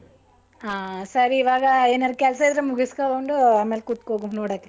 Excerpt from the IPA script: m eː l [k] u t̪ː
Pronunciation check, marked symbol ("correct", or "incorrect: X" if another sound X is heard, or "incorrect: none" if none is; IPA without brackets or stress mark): correct